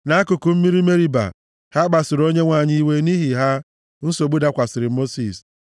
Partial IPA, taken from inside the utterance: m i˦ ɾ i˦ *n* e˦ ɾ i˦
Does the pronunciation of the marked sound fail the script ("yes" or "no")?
yes